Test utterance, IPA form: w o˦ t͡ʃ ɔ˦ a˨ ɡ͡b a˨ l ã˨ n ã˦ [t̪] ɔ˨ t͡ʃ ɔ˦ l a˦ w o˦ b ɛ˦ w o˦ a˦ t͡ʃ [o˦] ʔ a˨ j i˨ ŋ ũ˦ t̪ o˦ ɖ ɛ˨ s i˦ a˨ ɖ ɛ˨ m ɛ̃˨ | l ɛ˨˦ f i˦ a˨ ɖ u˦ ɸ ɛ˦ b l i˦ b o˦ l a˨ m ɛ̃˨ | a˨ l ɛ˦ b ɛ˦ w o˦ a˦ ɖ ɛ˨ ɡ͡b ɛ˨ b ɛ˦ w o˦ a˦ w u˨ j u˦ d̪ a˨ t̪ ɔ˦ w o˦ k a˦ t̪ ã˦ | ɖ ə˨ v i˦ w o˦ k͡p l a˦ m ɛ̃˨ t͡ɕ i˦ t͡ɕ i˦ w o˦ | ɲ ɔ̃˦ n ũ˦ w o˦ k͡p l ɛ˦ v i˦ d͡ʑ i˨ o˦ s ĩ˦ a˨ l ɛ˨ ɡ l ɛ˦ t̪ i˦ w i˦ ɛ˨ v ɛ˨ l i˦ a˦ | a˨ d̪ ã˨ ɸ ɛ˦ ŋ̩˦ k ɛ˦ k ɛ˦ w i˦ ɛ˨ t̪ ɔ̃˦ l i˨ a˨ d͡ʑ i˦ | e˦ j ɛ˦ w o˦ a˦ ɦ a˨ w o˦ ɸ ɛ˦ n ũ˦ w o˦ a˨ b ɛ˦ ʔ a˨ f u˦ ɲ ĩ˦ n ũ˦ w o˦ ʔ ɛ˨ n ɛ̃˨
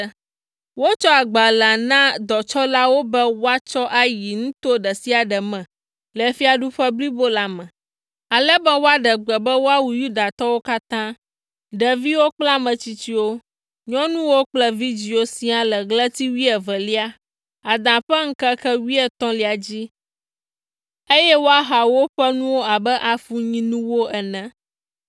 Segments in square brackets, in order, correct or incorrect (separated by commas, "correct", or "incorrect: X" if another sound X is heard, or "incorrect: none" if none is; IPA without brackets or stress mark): incorrect: d̪, incorrect: ɔ˦